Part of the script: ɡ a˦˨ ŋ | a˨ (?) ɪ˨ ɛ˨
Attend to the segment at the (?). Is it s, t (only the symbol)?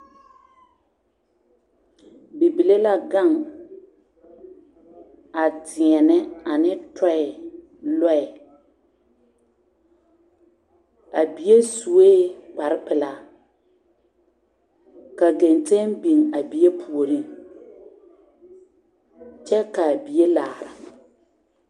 t